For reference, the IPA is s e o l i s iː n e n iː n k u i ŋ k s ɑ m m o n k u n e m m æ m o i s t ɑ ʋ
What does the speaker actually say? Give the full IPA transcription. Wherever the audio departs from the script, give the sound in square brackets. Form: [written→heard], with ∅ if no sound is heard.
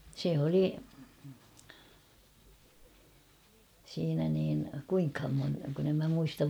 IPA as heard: s e o l i s iː n [e→æ] n iː n k u i ŋ k [s→h] ɑ m m o n k u n e m m æ m [o→u] i s t ɑ ʋ